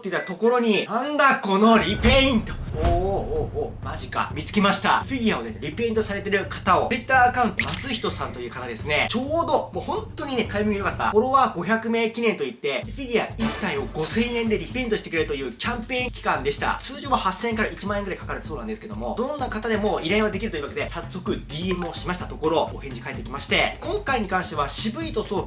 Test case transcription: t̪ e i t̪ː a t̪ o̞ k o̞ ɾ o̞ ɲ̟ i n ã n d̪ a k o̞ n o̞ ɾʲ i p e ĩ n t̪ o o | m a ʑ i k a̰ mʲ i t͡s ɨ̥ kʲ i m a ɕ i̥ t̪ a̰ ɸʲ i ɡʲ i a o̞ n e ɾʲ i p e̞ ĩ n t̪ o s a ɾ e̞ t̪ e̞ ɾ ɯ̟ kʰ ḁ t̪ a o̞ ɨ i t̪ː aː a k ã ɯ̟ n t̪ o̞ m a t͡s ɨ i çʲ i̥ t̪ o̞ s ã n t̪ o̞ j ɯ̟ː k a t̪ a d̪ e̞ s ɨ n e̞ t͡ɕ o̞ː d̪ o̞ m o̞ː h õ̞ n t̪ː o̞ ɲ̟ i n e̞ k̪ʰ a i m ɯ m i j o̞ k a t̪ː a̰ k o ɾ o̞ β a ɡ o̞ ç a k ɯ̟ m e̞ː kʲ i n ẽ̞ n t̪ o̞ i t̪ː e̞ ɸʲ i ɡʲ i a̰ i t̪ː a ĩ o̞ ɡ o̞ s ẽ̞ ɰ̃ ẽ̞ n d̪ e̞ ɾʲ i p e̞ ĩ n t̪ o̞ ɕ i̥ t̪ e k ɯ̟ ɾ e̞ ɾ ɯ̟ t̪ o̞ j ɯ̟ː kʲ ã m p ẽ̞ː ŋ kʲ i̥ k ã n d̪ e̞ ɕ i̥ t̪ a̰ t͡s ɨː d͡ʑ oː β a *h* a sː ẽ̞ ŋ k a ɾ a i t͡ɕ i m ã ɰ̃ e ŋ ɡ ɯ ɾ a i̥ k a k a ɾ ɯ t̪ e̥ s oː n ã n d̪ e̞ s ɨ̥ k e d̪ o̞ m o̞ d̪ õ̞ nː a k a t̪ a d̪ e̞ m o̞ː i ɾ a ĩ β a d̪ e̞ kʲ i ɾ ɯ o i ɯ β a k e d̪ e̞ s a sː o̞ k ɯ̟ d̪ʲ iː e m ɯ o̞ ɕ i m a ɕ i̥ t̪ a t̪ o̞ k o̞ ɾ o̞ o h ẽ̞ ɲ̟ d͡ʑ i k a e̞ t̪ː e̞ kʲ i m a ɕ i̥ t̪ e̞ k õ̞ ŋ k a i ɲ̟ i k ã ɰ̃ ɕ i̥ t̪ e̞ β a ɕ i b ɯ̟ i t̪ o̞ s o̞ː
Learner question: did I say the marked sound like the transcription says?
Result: yes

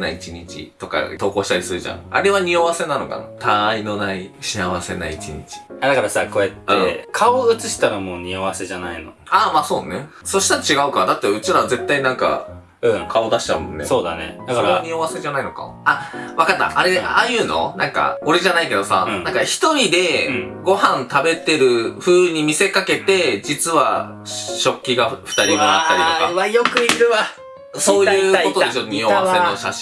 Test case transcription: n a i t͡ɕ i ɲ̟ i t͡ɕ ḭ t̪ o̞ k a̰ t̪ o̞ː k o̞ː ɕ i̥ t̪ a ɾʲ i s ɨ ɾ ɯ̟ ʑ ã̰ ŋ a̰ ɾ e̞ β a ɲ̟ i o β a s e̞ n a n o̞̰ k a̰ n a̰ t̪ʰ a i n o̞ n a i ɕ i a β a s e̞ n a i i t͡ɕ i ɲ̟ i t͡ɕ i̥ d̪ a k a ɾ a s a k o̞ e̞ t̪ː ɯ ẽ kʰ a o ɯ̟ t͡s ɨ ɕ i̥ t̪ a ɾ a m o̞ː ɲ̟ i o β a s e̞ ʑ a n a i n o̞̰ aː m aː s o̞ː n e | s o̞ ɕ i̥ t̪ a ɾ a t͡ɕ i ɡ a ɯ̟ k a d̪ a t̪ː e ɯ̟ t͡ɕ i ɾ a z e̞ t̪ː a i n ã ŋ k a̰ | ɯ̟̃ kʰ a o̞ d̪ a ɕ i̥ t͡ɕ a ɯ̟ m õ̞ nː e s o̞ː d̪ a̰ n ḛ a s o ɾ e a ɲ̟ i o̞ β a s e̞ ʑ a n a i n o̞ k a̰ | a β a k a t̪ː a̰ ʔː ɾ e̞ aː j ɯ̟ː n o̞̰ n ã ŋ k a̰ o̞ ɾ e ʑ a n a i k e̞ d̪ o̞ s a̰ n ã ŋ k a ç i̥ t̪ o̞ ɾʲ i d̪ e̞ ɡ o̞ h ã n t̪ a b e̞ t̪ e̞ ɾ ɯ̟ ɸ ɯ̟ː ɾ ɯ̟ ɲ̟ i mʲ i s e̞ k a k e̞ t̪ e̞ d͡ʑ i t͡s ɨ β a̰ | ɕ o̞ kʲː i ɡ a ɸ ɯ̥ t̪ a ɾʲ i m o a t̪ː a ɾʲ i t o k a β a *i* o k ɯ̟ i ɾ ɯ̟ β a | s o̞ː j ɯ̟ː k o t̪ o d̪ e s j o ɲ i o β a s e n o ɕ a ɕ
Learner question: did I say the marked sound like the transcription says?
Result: no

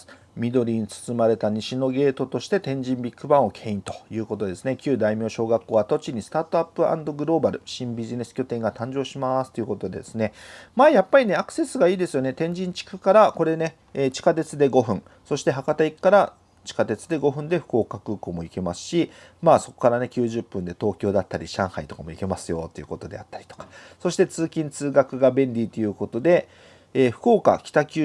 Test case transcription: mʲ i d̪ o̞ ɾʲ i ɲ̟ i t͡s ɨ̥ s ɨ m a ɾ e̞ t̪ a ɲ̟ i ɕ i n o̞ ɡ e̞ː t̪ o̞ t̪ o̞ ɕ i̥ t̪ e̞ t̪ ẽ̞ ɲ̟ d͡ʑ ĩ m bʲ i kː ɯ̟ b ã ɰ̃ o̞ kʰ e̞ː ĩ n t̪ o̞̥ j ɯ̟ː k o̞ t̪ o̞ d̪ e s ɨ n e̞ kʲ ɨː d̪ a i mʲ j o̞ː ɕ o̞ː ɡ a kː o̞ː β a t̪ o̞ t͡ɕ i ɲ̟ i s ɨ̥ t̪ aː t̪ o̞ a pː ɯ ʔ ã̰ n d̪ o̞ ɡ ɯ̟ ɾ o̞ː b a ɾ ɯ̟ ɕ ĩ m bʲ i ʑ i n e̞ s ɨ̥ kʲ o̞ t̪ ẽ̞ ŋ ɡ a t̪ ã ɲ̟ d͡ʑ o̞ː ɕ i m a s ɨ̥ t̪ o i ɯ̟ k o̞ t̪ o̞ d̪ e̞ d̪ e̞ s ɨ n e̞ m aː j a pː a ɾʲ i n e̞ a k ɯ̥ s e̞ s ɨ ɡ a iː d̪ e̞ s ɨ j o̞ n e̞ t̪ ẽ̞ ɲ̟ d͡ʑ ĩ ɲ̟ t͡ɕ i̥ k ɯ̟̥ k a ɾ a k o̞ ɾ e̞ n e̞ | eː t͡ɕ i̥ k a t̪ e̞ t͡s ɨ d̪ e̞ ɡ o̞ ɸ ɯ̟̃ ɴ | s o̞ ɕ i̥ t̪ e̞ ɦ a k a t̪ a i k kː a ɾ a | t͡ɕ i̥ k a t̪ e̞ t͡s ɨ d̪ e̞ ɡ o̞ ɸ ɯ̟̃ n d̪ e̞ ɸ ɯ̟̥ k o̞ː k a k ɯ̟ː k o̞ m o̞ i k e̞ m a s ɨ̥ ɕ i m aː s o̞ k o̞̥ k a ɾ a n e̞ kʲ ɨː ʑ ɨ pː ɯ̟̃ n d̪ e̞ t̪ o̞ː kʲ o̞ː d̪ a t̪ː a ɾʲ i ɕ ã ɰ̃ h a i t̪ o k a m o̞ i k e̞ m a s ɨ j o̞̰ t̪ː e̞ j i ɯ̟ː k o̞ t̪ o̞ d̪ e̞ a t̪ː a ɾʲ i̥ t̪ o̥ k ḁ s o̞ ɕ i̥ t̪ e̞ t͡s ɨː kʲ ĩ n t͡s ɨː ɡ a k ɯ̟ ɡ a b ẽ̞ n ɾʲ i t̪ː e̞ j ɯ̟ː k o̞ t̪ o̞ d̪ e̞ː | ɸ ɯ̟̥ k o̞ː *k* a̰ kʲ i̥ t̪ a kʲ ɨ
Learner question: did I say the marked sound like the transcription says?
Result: yes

